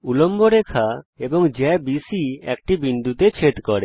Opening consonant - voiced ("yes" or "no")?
yes